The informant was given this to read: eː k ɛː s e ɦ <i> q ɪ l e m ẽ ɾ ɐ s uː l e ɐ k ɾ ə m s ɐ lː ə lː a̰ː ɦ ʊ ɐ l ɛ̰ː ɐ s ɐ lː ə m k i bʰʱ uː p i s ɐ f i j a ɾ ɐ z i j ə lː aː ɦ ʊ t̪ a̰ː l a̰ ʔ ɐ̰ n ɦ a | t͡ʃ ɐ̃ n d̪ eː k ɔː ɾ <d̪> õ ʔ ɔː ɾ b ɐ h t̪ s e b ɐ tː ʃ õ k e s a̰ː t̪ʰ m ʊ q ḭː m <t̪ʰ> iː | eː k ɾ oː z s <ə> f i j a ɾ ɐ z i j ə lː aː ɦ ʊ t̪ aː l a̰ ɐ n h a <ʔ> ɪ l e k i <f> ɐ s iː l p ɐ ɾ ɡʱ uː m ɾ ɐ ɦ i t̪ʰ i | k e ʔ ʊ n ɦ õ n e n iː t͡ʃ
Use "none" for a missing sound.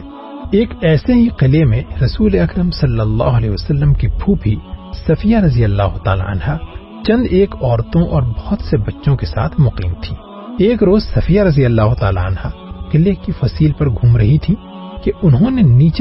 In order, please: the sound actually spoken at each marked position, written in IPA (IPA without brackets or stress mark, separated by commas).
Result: i, t̪, t̪ʰ, ɐ, q, f